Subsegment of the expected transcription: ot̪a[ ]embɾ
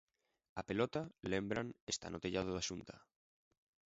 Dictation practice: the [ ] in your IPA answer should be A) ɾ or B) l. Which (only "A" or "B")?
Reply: B